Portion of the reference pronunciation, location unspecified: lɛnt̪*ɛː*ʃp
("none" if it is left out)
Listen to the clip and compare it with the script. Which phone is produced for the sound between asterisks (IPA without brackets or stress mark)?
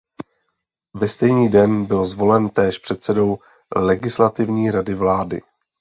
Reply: ɛː